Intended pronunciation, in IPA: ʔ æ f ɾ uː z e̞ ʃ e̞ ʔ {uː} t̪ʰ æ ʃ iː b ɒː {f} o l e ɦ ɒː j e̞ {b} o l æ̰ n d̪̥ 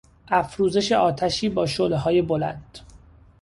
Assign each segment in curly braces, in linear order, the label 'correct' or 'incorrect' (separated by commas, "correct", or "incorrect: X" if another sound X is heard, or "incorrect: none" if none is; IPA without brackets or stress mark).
incorrect: ɒː, incorrect: ʃ, correct